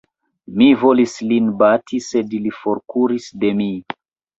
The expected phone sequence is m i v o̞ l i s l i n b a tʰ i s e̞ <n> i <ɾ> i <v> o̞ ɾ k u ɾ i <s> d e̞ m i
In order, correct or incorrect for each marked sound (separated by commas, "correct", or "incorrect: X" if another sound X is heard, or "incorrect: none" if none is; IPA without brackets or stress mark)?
incorrect: d, incorrect: l, incorrect: f, correct